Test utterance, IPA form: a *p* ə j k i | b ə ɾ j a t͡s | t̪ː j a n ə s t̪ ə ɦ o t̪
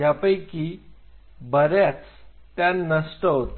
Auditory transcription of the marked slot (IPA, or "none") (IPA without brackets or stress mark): p